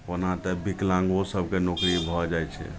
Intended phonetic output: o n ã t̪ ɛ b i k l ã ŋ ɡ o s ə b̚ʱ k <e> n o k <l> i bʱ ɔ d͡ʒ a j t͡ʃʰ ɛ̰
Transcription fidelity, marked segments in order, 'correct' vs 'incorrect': correct, incorrect

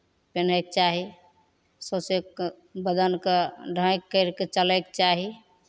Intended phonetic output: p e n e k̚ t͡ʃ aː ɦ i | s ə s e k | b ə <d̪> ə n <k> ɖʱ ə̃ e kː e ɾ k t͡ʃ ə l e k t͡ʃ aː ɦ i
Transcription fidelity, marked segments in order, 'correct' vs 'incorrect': correct, correct

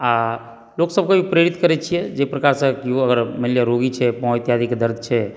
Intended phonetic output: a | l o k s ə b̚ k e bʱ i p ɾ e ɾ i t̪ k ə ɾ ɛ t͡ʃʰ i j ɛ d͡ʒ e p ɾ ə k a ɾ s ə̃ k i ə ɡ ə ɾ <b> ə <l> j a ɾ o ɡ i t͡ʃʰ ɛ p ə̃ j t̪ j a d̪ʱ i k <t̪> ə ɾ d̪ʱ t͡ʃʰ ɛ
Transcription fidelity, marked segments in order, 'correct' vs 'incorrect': incorrect, correct, incorrect

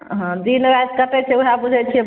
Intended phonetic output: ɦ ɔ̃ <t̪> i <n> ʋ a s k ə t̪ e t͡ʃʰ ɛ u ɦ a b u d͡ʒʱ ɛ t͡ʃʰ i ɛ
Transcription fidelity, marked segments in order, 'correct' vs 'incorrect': incorrect, correct

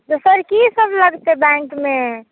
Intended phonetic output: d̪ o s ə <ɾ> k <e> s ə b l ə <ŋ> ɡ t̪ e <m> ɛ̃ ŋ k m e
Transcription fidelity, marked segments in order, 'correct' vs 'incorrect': correct, incorrect, incorrect, incorrect

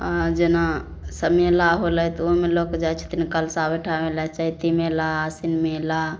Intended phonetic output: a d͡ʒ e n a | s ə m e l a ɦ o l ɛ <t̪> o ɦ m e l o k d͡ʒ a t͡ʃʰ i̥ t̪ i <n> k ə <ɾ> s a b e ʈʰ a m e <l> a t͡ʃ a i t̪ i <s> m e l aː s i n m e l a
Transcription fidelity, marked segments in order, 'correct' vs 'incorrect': correct, correct, incorrect, correct, incorrect

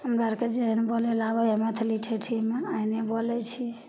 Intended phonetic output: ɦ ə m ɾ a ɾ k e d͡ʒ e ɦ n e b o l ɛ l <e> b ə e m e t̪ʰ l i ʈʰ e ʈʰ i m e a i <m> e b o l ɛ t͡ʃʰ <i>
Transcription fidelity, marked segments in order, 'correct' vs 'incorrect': incorrect, incorrect, correct

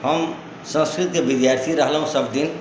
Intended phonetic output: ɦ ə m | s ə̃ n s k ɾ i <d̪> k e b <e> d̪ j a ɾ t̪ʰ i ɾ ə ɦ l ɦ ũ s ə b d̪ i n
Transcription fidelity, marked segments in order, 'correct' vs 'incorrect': incorrect, incorrect

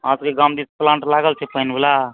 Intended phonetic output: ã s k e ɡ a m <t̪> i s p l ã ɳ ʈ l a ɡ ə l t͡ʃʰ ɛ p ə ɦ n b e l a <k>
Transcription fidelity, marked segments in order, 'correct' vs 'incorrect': incorrect, incorrect

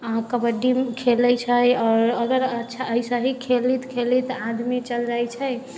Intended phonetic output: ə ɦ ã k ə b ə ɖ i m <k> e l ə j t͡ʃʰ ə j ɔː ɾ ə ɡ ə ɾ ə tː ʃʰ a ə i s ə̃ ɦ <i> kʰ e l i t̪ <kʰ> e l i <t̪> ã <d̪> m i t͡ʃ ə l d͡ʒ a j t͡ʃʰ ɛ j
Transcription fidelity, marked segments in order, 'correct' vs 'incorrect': incorrect, correct, correct, correct, correct

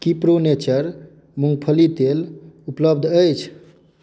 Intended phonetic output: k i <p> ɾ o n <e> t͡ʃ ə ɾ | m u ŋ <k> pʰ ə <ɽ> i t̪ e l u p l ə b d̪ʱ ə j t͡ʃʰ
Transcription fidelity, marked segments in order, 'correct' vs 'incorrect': correct, correct, incorrect, incorrect

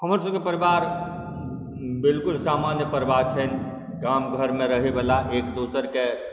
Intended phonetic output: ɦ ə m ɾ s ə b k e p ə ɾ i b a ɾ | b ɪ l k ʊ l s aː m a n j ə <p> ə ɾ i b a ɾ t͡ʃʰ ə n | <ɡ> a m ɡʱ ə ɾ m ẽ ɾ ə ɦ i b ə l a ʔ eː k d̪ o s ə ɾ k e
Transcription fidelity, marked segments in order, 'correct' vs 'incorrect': correct, correct

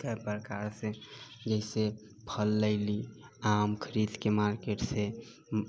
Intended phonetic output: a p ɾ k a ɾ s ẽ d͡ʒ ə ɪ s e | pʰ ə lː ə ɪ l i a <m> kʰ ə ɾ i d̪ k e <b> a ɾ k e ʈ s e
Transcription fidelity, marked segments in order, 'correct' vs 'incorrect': correct, incorrect

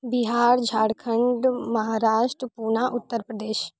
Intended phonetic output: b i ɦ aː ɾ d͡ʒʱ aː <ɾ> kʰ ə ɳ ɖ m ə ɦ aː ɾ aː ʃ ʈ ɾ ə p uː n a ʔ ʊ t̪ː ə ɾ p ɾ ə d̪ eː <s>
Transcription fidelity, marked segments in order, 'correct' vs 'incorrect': incorrect, incorrect

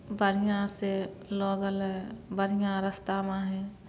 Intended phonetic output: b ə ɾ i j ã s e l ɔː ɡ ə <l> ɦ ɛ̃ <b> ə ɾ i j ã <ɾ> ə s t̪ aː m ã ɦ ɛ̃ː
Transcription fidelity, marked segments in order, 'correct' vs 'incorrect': correct, correct, correct

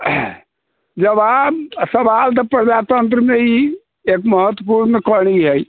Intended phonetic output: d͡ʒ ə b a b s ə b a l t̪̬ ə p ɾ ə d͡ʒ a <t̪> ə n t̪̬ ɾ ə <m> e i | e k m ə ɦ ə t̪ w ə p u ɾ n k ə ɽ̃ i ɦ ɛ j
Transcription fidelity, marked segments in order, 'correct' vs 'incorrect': correct, correct

